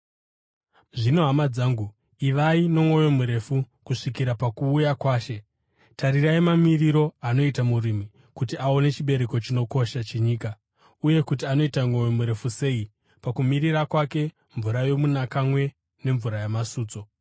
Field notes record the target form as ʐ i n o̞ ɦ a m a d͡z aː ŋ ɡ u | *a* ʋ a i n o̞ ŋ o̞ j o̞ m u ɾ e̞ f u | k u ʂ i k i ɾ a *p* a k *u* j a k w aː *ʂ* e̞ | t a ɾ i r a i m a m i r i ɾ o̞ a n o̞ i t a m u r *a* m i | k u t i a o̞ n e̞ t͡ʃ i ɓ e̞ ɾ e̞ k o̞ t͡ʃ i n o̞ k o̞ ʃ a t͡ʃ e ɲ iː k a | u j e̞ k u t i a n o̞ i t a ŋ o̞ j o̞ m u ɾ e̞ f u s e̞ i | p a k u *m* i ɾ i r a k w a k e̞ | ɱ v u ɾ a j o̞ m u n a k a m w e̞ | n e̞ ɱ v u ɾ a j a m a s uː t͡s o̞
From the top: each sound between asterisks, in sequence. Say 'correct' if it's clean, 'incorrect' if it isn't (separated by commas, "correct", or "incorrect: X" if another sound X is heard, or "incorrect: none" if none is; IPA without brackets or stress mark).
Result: incorrect: i, correct, incorrect: uː, incorrect: ʃ, incorrect: i, correct